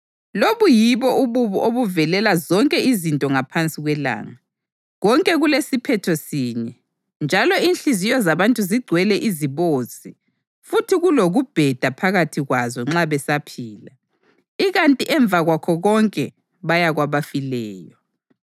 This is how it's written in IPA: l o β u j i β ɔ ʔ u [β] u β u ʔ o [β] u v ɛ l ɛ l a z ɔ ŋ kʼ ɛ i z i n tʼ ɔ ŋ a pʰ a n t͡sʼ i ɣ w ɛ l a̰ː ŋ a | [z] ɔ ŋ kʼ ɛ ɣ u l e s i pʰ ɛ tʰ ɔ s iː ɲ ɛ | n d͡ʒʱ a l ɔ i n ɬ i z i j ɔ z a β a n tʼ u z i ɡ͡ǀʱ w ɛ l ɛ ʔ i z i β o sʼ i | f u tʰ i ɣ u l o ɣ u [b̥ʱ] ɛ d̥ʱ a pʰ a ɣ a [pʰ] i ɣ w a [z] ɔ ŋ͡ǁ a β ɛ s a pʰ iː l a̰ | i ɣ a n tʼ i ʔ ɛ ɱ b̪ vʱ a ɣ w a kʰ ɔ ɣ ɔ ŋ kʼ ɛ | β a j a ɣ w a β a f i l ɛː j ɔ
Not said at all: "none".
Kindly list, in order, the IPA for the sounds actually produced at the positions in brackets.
β, β, ɣ, b̥ʱ, tʰ, z

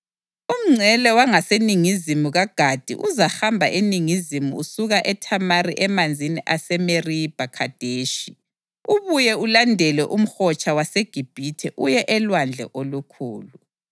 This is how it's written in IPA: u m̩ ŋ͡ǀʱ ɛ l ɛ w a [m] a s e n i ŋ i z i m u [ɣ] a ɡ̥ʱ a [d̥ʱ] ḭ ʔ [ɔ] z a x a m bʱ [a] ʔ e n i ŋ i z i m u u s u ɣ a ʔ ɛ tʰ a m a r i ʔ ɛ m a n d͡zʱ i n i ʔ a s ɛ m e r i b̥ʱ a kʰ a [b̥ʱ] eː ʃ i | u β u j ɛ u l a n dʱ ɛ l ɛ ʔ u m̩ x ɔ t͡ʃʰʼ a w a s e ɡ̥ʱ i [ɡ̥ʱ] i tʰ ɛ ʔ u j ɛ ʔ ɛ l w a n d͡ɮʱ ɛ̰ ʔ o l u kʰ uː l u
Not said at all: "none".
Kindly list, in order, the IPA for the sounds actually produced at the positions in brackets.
ŋ, ɣ, d̥ʱ, u, a, d̥ʱ, b̥ʱ

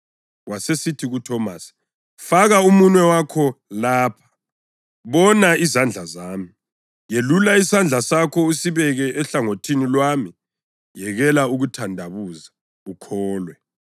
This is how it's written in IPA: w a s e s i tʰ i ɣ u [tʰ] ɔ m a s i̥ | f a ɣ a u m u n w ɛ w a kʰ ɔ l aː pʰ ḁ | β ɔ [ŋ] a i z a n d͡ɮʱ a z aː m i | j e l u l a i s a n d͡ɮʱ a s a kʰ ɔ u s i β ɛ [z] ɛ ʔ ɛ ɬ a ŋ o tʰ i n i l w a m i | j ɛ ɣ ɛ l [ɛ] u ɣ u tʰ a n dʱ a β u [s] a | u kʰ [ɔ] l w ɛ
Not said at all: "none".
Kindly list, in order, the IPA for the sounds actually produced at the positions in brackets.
tʰ, n, ɣ, a, z, ɔː

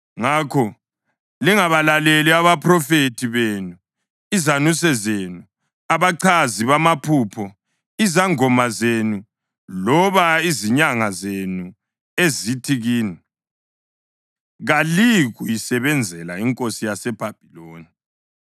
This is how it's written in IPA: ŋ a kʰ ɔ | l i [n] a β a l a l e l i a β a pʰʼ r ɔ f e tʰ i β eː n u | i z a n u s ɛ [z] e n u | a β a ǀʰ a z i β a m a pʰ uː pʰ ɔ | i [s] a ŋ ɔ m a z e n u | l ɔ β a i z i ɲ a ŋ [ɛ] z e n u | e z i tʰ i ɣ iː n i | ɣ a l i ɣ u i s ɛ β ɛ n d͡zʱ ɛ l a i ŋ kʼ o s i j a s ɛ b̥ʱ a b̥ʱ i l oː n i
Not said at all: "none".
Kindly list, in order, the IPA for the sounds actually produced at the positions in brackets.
ŋ, z, z, a

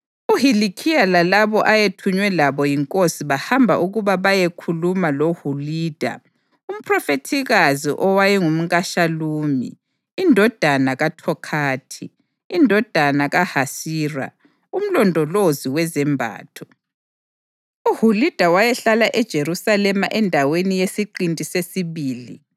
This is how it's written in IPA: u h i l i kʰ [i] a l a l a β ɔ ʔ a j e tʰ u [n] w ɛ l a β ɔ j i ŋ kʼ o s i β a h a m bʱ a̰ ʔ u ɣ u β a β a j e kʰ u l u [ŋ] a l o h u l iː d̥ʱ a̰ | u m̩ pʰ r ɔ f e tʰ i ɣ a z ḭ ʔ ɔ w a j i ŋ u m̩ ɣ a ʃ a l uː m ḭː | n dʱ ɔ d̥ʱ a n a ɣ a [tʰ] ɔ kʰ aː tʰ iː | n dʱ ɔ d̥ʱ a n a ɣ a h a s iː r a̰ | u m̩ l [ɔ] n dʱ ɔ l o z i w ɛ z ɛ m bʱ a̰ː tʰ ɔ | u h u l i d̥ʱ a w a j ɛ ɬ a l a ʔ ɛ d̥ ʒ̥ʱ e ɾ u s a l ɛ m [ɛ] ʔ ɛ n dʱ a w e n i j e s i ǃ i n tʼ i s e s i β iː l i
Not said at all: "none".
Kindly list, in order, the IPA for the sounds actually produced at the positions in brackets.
i, ɲ, m, tʰ, ɔ, a

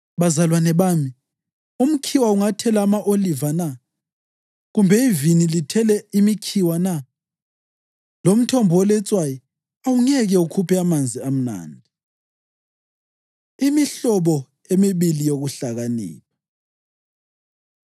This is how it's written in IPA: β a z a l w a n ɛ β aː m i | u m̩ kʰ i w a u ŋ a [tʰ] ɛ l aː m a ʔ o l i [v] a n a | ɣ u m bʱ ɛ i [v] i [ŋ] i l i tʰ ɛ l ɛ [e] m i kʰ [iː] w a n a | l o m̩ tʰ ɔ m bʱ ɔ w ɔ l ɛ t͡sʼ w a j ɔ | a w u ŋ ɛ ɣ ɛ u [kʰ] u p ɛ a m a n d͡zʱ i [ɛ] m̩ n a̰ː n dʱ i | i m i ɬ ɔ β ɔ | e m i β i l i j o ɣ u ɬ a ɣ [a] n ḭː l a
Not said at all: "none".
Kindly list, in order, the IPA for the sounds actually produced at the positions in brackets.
tʰ, v, v, n, i, i, kʰ, a, a

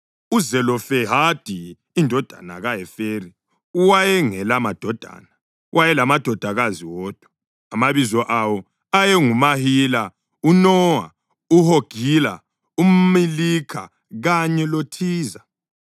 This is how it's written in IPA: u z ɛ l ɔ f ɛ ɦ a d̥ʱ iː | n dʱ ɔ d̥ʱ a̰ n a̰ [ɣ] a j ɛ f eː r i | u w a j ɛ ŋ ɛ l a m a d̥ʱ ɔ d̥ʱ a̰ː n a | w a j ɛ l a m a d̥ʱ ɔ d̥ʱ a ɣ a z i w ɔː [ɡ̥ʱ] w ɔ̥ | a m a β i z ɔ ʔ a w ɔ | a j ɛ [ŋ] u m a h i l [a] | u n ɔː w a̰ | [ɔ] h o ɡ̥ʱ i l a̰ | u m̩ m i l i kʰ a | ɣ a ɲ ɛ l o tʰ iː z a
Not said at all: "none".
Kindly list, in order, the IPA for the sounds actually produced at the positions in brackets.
ɣ, d̥ʱ, ŋ, a, u

